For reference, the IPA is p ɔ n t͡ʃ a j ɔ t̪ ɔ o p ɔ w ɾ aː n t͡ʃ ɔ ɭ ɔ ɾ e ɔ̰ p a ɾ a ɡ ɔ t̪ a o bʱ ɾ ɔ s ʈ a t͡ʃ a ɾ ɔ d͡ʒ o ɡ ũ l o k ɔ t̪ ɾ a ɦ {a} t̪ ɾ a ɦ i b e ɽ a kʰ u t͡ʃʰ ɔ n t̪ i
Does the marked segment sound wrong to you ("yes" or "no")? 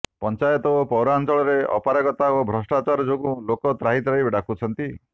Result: yes